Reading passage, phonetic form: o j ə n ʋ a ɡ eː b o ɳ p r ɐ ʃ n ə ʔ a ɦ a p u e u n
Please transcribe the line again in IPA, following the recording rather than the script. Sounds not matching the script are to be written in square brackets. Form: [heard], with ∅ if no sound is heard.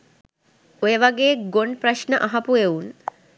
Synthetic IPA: o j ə [∅] ʋ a ɡ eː [ɡ] o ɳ p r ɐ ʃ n ə ʔ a ɦ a p u e u n

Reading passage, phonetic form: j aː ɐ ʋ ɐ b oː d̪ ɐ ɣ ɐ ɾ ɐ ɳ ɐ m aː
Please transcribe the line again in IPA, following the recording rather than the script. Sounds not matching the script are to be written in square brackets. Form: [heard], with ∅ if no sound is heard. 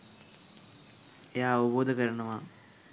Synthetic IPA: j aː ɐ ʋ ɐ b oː d̪ ɐ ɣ ɐ ɾ ɐ ɳ ɐ m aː

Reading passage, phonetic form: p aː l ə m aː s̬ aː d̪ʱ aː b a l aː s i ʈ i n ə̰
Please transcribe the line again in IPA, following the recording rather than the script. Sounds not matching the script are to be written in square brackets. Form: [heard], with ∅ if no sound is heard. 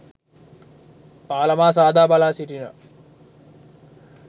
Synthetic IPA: p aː l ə m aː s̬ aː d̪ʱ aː b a l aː s i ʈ i n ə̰

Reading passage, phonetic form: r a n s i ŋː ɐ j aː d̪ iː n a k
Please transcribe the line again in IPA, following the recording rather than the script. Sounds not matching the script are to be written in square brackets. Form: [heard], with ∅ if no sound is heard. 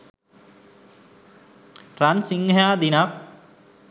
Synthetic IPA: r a n s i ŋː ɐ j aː d̪ [i] n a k

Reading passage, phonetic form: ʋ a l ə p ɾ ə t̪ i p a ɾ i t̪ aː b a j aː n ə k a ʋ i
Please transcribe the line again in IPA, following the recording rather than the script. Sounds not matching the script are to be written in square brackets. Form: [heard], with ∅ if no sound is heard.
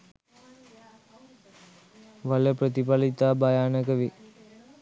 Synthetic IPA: ʋ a l ə p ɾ ə t̪ i p a [l] i t̪ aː b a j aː n ə k [ə] ʋ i

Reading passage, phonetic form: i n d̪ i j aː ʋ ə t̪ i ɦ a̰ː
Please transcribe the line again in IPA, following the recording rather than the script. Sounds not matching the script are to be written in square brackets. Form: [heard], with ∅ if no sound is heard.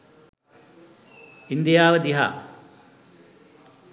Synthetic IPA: i n d̪ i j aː ʋ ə [d̪] i ɦ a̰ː

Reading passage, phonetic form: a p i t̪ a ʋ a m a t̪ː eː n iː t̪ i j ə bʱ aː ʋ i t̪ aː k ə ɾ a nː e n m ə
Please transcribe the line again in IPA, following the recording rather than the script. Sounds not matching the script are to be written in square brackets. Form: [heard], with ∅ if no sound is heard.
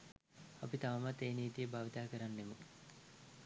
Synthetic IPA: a p i t̪ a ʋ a m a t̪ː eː n iː t̪ i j ə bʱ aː ʋ i t̪ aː k ə ɾ a nː e [∅] m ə

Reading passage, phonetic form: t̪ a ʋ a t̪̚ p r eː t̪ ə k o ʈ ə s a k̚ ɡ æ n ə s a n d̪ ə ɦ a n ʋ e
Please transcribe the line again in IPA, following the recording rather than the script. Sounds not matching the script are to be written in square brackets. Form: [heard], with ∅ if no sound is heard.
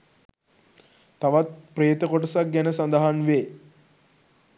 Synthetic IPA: t̪ a ʋ a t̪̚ p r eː t̪ ə k o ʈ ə s a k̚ ɡ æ n ə s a n d̪ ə ɦ a n ʋ e

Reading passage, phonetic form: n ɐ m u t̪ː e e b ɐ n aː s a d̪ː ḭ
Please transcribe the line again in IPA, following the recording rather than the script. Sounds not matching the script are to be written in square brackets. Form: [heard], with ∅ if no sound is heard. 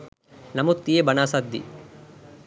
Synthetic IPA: n ɐ m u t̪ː [i] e b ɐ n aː s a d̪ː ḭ

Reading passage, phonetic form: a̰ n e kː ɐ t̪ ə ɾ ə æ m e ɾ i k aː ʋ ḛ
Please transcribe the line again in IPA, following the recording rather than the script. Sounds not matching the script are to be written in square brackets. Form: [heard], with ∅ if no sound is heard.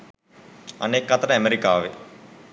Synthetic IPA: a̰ n e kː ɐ t̪ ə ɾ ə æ m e ɾ i k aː ʋ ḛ

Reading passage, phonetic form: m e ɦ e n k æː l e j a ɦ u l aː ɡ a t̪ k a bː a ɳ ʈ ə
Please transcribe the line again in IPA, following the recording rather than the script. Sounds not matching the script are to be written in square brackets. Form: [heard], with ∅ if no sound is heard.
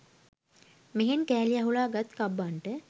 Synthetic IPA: m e ɦ e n k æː l [i] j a ɦ u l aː ɡ a t̪ k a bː a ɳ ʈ ə

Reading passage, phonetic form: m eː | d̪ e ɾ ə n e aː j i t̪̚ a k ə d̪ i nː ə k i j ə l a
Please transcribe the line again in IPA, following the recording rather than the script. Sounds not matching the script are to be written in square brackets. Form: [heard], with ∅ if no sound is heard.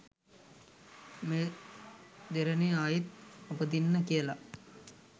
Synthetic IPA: m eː | d̪ e ɾ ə n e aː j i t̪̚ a [p] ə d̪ i nː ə k i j ə l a

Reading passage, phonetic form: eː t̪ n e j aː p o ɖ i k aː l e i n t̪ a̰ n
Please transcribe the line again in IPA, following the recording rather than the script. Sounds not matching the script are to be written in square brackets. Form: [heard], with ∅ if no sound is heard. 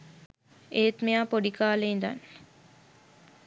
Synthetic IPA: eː t̪ [m] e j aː p o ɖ i k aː l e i n [d̪] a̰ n

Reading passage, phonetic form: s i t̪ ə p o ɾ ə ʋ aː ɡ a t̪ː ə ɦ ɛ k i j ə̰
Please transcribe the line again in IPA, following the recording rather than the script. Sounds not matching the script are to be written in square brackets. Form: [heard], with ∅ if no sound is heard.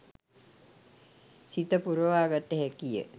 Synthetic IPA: s i t̪ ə p [u] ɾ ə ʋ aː ɡ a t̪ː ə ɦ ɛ k i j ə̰

